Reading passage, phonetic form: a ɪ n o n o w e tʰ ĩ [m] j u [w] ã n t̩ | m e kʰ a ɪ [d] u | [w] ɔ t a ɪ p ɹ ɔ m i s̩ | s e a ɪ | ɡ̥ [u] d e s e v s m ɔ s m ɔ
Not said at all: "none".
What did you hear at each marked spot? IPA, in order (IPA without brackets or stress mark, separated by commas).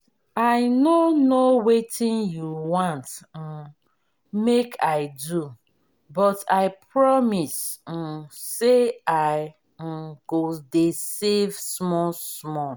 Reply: n, w, d, b, o